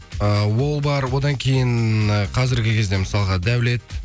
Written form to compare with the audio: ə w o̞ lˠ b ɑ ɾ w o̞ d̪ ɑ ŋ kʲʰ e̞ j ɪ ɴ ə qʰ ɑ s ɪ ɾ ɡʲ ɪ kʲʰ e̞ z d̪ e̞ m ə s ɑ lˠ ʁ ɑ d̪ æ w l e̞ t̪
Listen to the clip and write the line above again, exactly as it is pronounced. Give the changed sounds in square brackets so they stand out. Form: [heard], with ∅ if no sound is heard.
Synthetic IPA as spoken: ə w o̞ lˠ b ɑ ɾ w o̞ d̪ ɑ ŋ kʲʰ e̞ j ɪ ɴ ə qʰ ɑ [z] ɪ ɾ ɡʲ ɪ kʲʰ e̞ z d̪ e̞ m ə s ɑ lˠ ʁ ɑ d̪ æ w l e̞ t̪